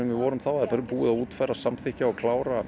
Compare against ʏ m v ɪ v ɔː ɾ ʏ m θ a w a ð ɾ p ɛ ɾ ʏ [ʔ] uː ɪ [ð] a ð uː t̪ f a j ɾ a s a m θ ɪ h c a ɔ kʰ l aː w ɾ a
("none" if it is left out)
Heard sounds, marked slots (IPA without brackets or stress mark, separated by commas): p, ð